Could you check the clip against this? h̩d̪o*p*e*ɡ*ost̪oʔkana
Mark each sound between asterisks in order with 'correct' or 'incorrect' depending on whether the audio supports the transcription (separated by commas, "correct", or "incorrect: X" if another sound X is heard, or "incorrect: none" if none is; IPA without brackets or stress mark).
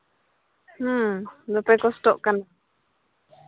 correct, incorrect: k